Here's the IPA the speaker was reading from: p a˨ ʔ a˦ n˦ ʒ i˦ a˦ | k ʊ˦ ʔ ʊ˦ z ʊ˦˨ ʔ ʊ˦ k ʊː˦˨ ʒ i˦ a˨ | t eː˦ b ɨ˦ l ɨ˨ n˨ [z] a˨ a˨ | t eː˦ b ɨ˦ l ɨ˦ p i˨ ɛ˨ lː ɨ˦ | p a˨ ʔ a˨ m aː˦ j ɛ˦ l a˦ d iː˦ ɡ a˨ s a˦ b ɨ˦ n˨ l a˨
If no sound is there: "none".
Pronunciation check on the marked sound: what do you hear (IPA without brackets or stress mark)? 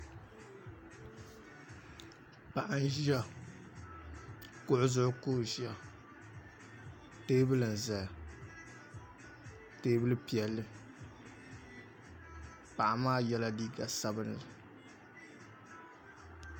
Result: z